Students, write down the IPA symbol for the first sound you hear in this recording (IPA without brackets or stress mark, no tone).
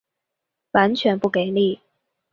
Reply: w